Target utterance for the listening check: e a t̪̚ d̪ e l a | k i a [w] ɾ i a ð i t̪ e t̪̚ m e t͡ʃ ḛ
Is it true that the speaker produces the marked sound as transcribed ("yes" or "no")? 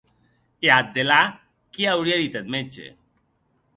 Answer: yes